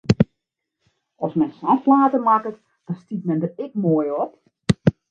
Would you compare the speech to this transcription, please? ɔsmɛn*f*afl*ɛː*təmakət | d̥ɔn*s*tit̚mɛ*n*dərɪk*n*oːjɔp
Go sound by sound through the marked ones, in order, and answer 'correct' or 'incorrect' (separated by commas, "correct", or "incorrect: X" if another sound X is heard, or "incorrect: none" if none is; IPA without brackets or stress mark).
incorrect: s, incorrect: aː, correct, correct, incorrect: m